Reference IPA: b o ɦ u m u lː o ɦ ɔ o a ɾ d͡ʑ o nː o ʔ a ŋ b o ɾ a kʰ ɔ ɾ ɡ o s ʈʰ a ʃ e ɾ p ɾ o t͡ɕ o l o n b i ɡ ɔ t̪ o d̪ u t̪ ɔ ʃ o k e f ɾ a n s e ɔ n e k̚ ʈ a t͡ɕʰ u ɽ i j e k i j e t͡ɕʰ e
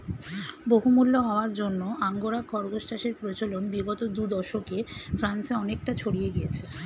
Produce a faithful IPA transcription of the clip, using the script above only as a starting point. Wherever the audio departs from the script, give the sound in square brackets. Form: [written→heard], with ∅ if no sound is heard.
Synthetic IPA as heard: b o ɦ u m u lː o ɦ ɔ o a ɾ d͡ʑ o nː o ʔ a ŋ [b→ɡ] o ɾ a kʰ ɔ ɾ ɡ o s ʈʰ a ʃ e ɾ p ɾ o t͡ɕ o l o n b i ɡ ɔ t̪ o d̪ u [t̪→d̪] ɔ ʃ o k e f ɾ a n s e ɔ n e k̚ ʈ a t͡ɕʰ [u→o] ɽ i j e [k→ɡ] i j e t͡ɕʰ e